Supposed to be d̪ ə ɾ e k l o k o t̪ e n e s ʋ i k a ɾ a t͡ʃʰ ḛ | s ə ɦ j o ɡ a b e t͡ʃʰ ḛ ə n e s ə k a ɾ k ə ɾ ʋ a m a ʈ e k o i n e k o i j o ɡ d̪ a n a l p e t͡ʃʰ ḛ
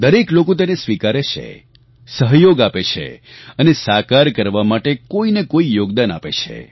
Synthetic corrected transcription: d̪ ə ɾ e k l o k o t̪ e n e s ʋ i k a ɾ e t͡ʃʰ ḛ | s ə ɦ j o ɡ a p e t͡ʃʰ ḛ ə n e s a k a ɾ k ə ɾ ʋ a m a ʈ e k o i n e k o i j o ɡ d̪ a n a p e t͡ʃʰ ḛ

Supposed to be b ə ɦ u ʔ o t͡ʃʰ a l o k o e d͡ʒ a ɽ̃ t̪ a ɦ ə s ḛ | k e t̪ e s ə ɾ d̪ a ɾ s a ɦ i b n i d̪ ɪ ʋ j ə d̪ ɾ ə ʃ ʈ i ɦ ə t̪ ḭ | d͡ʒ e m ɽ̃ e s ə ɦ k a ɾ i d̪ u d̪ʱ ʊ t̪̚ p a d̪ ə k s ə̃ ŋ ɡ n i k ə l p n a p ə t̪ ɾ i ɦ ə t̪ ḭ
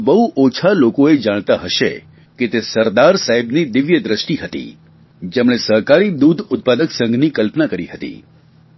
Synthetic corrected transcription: b ə ɦ u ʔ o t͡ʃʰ a l o k o e d͡ʒ a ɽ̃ t̪ a ɦ ə ʃ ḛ | k e t̪ e s ə ɾ d̪ a ɾ s a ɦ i b n i d̪ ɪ ʋ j ə d̪ ɾ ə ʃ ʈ i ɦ ə t̪ ḭ | d͡ʒ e m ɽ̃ e s ə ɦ k a ɾ i d̪ u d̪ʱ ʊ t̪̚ p a d̪ ə k s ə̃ ŋ ɡ n i k ə l p n a k ə ɾ i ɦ ə t̪ ḭ

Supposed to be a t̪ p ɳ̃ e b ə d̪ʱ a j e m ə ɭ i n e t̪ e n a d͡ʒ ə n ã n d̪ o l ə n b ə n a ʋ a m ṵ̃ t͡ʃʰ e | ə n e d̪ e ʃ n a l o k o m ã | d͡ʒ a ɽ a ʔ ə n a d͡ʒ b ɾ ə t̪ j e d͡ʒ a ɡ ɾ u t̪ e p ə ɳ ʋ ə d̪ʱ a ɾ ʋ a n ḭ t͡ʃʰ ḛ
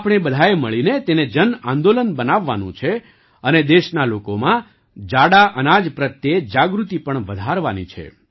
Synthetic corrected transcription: a p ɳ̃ e b ə d̪ʱ a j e m ə ɭ i n e t̪ e n e d͡ʒ ə n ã n d̪ o l ə n b ə n a ʋː a n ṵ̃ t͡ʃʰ e | ə n e d̪ e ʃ n a l o k o m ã | d͡ʒ a ɽ a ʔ ə n a d͡ʒ p ɾ ə t̪ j e d͡ʒ a ɡ ɾ u t̪ i p ə ɳ ʋ ə d̪ʱ a ɾ ʋ a n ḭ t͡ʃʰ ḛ

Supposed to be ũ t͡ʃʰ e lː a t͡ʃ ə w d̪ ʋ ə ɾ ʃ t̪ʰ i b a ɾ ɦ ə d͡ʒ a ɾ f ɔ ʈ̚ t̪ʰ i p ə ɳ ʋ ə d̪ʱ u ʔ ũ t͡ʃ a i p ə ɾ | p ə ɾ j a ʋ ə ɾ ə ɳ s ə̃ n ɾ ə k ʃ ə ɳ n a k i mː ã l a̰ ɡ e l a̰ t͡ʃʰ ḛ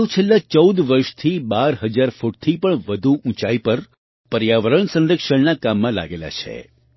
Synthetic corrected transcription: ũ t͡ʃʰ e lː a t͡ʃ ə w d̪ ʋ ə ɾ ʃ t̪ʰ i b a ɾ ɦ ə d͡ʒ a ɾ f u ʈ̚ t̪ʰ i p ə ɳ ʋ ə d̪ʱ u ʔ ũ t͡ʃ a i p ə ɾ | p ə ɾ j a ʋ ə ɾ ə ɳ s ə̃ n ɾ ə k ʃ ə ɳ n a k a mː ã l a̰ ɡ e l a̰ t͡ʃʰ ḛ

